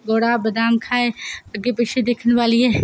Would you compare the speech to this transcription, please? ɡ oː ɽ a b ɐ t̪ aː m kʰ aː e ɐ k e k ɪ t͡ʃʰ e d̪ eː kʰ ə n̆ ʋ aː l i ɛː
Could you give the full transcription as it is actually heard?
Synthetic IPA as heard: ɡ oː ɽ a b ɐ d̪ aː m kʰ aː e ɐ ɡ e p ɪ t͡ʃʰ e d̪ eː kʰ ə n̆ ʋ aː l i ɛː